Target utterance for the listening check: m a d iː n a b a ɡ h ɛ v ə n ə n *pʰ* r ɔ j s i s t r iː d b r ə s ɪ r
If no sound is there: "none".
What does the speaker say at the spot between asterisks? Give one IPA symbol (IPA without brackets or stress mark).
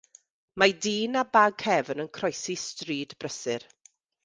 kʰ